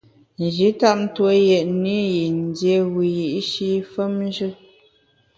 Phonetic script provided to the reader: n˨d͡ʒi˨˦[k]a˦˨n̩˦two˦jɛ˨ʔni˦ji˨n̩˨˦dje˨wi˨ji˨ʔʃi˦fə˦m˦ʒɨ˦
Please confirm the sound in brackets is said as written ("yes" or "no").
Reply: no